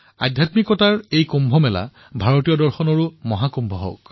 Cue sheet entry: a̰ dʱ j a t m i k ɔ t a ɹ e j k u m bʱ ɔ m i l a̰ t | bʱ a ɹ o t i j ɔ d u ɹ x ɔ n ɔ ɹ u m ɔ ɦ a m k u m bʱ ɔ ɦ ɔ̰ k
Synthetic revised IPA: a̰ dʱ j a t m i k ɔ t a ɹ e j k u m bʱ ɔ m ɛ l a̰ | bʱ a ɹ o t i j ɔ d ɔ ɹ x ɔ n ɔ ɹ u m ɔ ɦ a k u m bʱ ɔ ɦ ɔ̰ k